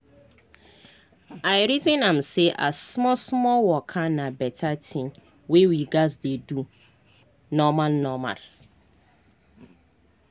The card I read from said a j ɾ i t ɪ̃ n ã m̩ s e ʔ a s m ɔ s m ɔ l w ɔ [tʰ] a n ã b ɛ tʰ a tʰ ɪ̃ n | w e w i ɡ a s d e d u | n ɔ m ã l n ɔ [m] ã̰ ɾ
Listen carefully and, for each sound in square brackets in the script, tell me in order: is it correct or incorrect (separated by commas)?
incorrect, correct